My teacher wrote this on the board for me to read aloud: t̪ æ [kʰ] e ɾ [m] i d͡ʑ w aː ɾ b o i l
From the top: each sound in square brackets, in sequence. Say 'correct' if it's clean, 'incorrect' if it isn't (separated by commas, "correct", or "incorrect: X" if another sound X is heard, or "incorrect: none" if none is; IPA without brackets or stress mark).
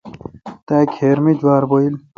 correct, correct